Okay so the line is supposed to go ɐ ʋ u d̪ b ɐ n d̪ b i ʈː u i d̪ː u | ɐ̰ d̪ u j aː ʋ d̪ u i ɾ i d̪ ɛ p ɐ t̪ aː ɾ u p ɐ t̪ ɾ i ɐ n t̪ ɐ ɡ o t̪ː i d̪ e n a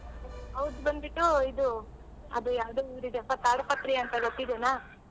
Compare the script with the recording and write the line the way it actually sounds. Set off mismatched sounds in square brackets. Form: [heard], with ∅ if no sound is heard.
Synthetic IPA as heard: ɐ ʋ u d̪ b ɐ n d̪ b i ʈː u i [d̪] u | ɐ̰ d̪ u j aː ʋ d̪ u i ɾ i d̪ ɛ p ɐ t̪ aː ɾ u p ɐ t̪ ɾ i ɐ n t̪ ɐ ɡ o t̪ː i d̪ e n a